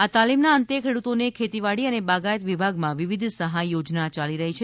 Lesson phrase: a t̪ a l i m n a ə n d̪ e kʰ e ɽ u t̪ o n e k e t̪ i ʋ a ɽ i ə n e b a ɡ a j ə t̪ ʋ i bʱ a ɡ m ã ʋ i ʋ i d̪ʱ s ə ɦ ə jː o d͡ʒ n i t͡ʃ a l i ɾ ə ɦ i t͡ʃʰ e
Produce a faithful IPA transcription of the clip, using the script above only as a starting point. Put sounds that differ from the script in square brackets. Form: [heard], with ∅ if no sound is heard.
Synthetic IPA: a t̪ a l i m n a ə n [t̪] e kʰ e ɽ u t̪ o n e [kʰ] e t̪ i ʋ a ɽ i ə n e b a ɡ a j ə t̪ ʋ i bʱ a ɡ m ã ʋ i ʋ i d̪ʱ s ə ɦ [a] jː o d͡ʒ n [a] t͡ʃ a l i ɾ ə ɦ i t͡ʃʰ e